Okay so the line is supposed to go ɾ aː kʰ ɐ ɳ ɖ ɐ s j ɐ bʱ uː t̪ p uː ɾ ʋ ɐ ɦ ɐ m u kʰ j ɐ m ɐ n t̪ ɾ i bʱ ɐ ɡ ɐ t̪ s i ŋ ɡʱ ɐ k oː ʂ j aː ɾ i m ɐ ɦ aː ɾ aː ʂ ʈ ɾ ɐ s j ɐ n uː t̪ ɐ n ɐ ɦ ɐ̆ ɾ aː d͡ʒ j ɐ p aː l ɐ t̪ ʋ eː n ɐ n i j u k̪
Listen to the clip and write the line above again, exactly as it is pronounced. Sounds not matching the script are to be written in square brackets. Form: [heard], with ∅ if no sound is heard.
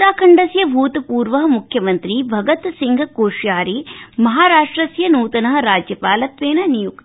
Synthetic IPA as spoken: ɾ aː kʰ ɐ ɳ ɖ ɐ s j ɐ bʱ uː t̪ p uː ɾ ʋ ɐ ɦ ɐ m u kʰ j ɐ m ɐ n t̪ ɾ i bʱ ɐ ɡ ɐ t̪ s i ŋ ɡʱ ɐ k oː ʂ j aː ɾ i m ɐ ɦ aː ɾ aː ʂ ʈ ɾ ɐ s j ɐ n uː t̪ ɐ n ɐ ɦ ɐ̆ ɾ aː d͡ʒ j ɐ p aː l ɐ t̪ ʋ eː n ɐ n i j u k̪